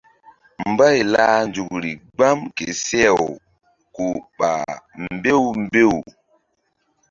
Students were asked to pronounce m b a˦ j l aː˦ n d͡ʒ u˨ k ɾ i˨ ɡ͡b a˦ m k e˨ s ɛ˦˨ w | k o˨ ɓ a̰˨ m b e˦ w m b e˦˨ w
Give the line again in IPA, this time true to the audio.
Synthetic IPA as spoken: m b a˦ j l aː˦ n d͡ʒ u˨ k ɾ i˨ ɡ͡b a˦ m k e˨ s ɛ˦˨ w | k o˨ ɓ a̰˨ m b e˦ w m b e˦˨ w